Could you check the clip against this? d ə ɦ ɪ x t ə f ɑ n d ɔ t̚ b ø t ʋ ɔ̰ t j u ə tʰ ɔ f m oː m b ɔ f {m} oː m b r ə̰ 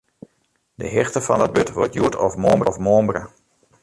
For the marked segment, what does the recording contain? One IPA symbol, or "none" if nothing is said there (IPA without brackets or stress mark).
m